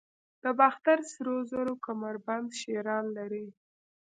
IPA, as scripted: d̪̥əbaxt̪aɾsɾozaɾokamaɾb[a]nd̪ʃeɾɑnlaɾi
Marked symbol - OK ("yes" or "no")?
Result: yes